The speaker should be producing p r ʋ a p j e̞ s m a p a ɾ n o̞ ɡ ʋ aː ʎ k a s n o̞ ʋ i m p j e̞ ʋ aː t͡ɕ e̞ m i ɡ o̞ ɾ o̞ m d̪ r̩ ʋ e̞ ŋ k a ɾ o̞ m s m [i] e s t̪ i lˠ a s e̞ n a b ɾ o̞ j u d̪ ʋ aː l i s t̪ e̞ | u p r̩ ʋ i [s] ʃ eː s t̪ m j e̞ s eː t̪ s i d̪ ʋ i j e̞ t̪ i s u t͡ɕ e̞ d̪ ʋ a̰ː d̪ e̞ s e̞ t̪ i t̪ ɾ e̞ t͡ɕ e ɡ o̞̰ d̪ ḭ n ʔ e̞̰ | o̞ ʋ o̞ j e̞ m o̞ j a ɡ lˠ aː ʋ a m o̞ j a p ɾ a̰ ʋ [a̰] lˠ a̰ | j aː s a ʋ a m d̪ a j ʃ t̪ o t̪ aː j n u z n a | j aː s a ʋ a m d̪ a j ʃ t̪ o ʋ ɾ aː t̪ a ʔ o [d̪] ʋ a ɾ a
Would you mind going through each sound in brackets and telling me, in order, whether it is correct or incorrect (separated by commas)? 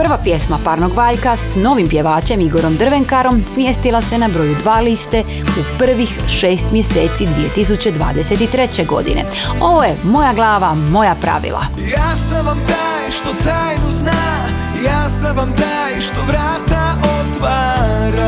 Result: incorrect, incorrect, incorrect, incorrect